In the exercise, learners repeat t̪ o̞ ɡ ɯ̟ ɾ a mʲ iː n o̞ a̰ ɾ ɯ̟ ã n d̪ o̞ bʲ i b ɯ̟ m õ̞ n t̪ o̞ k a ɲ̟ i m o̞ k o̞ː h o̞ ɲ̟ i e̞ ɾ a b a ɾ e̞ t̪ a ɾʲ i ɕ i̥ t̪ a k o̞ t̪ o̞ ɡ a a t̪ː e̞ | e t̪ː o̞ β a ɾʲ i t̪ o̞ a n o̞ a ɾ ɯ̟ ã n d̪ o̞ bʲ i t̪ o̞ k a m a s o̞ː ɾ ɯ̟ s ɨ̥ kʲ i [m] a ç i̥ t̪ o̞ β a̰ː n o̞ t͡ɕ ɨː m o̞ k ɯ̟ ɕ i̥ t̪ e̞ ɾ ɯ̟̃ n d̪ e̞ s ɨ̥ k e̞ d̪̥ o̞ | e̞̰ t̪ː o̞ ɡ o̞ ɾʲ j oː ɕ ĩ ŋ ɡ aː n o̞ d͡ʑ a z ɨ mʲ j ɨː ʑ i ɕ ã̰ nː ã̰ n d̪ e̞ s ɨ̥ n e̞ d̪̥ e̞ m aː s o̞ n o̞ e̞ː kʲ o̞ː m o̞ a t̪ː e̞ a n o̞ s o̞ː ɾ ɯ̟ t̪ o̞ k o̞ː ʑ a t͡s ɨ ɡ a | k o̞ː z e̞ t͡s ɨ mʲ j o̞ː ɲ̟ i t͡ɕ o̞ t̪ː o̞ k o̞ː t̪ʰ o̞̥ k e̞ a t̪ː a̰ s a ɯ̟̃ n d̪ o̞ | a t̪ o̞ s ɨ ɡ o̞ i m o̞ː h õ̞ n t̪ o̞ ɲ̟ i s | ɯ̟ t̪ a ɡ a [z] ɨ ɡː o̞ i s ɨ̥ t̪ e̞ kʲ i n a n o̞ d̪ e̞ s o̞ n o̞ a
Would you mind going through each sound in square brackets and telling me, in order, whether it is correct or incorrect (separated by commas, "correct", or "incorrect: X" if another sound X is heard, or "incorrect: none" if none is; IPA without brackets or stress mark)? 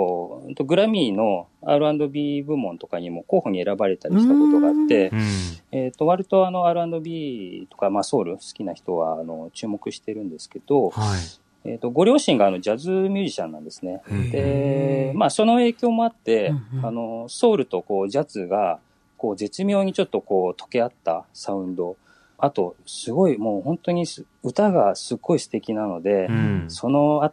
incorrect: n, incorrect: s